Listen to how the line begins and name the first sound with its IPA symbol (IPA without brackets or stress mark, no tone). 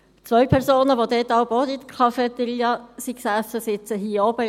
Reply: t͡s